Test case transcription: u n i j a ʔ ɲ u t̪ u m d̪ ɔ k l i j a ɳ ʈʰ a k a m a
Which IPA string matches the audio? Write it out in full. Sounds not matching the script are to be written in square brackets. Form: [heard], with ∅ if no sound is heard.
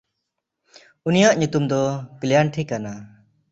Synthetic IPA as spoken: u n i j a ʔ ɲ u t̪ u m d̪ ɔ k l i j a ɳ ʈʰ [i] k a [n] a